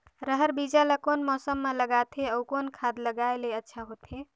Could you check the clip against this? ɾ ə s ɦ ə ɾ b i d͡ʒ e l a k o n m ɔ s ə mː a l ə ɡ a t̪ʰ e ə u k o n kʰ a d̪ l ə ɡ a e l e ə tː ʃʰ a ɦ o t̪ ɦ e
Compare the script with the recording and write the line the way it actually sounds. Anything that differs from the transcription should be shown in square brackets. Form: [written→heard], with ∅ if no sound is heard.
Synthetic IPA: ɾ ə [s→∅] ɦ ə ɾ b i d͡ʒ [e→a] l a k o n m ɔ s ə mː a l ə ɡ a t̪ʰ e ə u k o n kʰ a d̪ l ə ɡ a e l e ə tː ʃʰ a ɦ o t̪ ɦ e